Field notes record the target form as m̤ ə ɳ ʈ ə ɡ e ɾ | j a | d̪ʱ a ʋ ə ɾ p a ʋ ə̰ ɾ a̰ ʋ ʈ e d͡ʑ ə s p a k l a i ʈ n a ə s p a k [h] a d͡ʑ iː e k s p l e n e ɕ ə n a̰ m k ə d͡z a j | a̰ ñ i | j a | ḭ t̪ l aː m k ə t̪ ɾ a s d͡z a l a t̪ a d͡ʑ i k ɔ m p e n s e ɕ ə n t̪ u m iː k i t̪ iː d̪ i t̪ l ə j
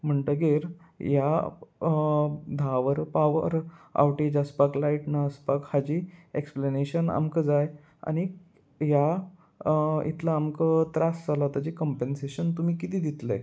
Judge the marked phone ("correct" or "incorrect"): correct